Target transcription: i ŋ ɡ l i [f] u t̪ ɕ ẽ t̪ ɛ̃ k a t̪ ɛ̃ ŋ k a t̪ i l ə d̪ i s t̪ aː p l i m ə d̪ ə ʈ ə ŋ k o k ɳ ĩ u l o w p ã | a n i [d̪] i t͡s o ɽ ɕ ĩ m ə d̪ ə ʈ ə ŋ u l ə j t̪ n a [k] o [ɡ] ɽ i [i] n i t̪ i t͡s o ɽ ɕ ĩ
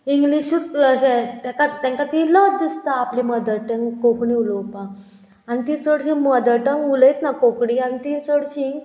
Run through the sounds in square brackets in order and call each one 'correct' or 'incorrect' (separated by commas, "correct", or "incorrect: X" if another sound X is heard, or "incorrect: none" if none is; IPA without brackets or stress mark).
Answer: incorrect: ɕ, incorrect: t̪, correct, incorrect: k, incorrect: a